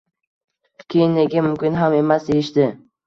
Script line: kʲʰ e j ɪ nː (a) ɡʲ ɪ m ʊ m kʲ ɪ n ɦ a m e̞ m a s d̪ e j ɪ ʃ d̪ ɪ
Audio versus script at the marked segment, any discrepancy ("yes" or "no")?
yes